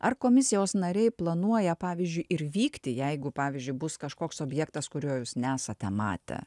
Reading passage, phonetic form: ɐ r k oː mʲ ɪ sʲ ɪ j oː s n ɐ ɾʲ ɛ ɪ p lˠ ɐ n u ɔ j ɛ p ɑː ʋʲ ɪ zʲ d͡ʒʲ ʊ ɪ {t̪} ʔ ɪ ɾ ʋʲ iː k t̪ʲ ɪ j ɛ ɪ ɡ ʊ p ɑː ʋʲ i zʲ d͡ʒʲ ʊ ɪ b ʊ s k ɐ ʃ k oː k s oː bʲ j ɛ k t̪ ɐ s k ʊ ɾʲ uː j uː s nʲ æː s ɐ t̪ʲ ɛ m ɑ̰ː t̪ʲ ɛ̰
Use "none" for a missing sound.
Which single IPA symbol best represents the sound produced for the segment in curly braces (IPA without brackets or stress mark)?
none